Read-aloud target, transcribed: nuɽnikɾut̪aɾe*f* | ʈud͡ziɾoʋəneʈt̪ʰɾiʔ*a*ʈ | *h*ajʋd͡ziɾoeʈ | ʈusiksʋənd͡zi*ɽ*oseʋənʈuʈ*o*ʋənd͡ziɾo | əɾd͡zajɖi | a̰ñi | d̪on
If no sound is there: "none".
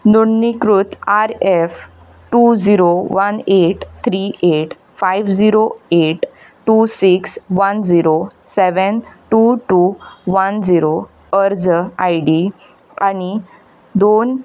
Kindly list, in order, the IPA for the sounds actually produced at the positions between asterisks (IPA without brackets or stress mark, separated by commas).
f, e, f, ɾ, u